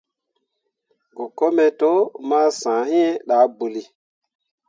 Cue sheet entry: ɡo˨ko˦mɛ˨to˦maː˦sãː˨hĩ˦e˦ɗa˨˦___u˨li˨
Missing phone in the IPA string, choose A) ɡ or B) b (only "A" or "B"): B